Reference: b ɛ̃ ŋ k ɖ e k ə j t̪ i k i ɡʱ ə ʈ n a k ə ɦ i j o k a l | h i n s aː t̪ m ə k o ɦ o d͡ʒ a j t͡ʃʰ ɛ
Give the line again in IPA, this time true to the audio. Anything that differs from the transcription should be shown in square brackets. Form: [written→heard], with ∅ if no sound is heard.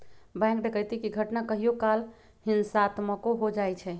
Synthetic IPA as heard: b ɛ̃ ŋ k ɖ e k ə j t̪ i k i ɡʱ ə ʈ n a k ə ɦ i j o k a l | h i n s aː t̪ m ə k o ɦ o d͡ʒ a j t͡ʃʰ ɛ